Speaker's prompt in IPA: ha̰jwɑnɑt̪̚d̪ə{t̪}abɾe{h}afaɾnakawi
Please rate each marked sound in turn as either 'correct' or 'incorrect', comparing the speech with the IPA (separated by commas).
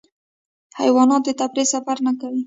correct, incorrect